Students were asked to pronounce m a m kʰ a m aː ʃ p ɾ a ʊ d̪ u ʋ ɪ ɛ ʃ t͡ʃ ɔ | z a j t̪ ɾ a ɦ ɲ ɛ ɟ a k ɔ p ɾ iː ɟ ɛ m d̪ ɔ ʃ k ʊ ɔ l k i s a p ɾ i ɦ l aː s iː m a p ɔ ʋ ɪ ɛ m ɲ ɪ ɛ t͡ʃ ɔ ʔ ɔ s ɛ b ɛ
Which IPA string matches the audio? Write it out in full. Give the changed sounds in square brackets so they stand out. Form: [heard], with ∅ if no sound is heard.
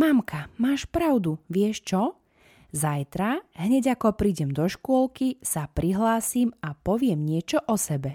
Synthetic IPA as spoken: m a m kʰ a m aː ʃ p ɾ a ʊ d̪ u ʋ ɪ ɛ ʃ t͡ʃ ɔ | z a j t̪ ɾ a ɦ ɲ ɛ ɟ a k ɔ p ɾ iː ɟ ɛ m d̪ ɔ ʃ k ʊ ɔ l k i s a p ɾ i ɦ l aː s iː m a p ɔ ʋ ɪ ɛ m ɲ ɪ ɛ t͡ʃ ɔ ʔ ɔ s ɛ b ɛ